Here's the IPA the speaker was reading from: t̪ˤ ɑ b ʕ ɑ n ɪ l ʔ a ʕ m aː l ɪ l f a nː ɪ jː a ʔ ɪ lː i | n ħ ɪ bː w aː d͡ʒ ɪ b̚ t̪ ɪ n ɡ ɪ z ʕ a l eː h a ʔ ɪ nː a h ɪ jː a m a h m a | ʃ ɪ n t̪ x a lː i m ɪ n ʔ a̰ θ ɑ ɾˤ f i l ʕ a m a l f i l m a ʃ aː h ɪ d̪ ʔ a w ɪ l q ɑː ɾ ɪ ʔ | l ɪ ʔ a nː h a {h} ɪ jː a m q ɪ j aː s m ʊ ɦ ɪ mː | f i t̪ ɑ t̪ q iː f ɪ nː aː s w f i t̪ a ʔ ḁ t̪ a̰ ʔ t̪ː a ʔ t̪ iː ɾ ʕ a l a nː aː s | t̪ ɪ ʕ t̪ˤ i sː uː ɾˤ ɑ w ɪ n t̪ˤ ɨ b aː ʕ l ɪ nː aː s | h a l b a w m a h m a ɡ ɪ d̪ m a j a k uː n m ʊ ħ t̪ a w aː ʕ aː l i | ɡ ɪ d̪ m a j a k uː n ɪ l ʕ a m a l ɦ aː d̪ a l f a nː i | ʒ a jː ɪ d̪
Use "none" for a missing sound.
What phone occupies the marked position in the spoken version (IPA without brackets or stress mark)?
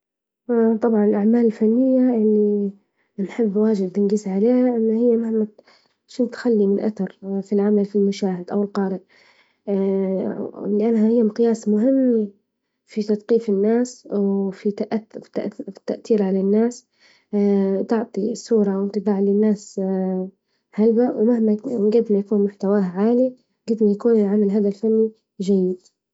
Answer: h